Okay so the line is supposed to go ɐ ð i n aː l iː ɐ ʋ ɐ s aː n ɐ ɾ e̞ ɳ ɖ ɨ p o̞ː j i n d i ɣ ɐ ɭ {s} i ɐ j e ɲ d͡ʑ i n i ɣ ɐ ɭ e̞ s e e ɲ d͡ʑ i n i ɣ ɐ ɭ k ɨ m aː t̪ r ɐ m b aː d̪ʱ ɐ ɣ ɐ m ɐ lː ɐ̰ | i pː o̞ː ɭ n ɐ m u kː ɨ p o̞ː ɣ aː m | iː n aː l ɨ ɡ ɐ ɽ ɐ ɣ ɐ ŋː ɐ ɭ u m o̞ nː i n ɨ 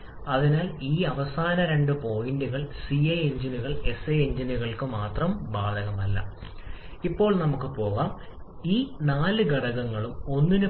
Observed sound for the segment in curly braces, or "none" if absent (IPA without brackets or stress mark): s